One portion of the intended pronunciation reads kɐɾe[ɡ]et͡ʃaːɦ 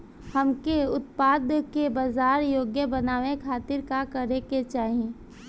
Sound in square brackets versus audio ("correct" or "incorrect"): incorrect